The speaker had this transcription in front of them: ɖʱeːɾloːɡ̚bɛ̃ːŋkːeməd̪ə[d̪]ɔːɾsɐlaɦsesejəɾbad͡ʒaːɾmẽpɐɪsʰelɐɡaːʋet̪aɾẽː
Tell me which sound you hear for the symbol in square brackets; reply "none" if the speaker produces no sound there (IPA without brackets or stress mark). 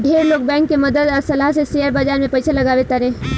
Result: d̪